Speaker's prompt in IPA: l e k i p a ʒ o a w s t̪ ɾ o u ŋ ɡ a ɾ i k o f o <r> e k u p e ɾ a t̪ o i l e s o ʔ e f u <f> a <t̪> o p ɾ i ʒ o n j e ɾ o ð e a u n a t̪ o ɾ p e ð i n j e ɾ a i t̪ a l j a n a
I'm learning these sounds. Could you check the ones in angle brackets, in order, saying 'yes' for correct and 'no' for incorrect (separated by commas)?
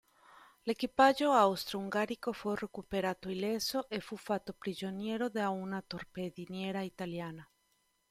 yes, yes, yes